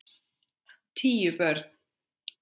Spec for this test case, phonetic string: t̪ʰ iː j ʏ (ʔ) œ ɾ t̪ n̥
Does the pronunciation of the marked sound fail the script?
yes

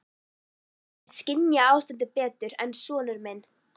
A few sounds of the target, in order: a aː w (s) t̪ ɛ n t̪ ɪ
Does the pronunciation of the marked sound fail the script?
no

